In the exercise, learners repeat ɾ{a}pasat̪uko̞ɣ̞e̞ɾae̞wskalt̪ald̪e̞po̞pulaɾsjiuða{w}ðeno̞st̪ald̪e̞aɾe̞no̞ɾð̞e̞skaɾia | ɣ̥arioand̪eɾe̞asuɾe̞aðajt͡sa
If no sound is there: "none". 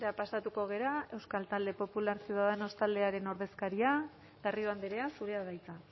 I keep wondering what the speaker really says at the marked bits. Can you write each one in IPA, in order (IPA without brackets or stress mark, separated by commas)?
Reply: a, none